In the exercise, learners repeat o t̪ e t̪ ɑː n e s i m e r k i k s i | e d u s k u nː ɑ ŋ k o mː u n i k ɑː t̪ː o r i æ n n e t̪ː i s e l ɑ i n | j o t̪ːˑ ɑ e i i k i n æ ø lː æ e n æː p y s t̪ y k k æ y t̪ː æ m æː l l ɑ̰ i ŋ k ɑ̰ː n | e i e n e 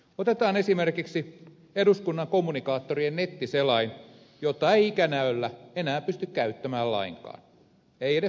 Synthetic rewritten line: o t̪ e t̪ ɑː n e s i m e r k i k s i | e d u s k u nː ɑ ŋ k o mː u n i k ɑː t̪ː o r i e n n e t̪ː i s e l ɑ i n | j o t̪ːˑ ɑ e i i k æ n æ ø lː æ e n æː p y s t̪ y k k æ y t̪ː æ m æː l l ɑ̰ i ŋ k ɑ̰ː n | e i e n e